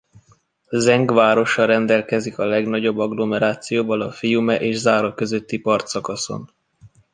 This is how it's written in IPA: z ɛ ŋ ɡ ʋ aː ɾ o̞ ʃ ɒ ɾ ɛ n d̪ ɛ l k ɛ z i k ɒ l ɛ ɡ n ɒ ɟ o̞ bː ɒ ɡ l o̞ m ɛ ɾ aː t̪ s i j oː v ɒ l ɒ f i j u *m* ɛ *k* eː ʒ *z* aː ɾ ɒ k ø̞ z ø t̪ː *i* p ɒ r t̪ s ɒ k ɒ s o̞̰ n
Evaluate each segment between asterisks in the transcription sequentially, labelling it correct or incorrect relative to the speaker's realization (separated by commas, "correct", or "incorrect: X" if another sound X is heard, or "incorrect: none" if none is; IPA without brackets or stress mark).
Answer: correct, incorrect: ʔ, correct, correct